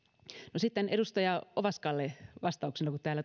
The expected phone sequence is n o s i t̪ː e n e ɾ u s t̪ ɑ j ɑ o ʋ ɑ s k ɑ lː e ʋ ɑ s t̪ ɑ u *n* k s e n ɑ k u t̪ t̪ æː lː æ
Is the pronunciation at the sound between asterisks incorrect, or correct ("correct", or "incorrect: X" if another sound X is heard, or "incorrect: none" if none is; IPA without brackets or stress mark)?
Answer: incorrect: none